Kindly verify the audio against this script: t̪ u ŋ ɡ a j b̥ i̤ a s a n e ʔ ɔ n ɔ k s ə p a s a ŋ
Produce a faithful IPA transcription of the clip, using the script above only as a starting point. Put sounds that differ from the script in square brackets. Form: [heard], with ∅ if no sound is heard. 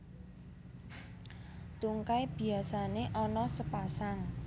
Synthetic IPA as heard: t̪ u ŋ [k] a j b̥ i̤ a s a n e ʔ ɔ n ɔ [∅] s ə p a s a ŋ

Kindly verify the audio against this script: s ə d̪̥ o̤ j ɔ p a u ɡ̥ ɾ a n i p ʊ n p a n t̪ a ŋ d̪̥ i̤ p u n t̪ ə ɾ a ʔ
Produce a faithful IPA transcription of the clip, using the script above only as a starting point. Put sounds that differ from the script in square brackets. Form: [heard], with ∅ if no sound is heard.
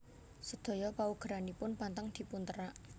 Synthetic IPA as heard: s ə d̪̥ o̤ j ɔ p a u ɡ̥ ɾ a n i p ʊ n p a n t̪ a ŋ d̪̥ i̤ p u n t̪ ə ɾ a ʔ

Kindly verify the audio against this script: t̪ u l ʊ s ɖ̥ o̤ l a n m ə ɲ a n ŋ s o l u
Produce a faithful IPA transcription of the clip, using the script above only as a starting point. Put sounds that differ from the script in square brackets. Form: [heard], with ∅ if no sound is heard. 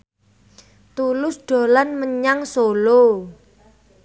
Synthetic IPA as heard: t̪ u l ʊ s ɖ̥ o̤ l a n m ə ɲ a [∅] ŋ s o l [o]

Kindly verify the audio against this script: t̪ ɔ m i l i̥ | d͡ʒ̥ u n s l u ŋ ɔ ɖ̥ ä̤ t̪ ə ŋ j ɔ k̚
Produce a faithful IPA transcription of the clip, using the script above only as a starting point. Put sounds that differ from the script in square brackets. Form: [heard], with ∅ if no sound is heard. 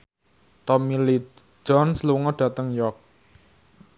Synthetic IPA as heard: t̪ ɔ m i l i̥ | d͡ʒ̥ [ɔ] n s l u ŋ ɔ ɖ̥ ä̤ t̪ ə ŋ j ɔ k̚

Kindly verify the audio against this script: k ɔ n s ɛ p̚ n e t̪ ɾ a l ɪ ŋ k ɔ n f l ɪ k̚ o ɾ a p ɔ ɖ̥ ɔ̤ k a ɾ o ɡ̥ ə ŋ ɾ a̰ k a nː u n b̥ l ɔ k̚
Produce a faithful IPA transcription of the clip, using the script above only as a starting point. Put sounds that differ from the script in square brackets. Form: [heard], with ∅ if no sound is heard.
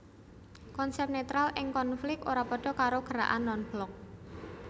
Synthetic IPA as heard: k ɔ n s ɛ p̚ n e t̪ ɾ a l ɪ ŋ k ɔ n f l ɪ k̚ o ɾ a p ɔ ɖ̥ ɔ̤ k a ɾ o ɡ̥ ə [∅] ɾ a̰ [ʔ] a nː [ɔ] n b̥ l ɔ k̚

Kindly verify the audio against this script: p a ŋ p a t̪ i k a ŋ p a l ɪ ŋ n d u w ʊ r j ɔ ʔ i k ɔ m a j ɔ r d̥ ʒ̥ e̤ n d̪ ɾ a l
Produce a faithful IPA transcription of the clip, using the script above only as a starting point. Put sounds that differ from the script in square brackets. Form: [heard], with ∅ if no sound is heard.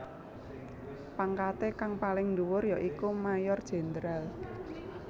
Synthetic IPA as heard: p a ŋ [k] a t̪ [e] k a ŋ p a l ɪ ŋ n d u w ʊ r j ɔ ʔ i k [u] m a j ɔ r d̥ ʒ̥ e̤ n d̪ ɾ a l

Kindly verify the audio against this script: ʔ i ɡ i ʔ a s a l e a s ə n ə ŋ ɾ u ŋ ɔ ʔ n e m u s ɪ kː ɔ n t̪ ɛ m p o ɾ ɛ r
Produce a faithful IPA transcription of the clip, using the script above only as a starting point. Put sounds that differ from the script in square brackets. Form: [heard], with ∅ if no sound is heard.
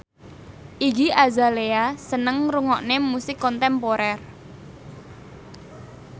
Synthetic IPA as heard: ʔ i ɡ i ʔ a [z] a l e a s ə n ə ŋ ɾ u ŋ ɔ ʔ n e m u s ɪ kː ɔ n t̪ ɛ m p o ɾ ɛ r

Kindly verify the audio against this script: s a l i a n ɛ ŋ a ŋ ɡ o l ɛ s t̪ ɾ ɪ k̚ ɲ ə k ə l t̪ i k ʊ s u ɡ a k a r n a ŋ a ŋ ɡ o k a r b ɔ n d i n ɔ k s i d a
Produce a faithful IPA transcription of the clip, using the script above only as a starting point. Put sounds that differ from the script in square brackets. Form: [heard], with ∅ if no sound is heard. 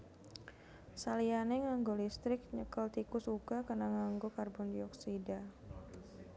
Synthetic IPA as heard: s a l i a n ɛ ŋ a ŋ ɡ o l [i] s t̪ ɾ ɪ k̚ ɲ ə k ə l t̪ i k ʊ s u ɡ a k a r n a ŋ a ŋ ɡ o k a r b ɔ n d i [∅] ɔ k s i d a

